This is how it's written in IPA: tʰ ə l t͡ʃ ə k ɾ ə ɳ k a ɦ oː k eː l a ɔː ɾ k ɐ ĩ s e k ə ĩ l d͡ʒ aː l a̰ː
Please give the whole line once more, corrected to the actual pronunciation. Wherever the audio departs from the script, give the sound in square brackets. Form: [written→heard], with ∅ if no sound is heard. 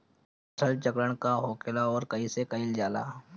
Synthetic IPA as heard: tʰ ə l t͡ʃ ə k ɾ ə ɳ k a ɦ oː k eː l a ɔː ɾ k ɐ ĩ s e k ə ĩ l d͡ʒ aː l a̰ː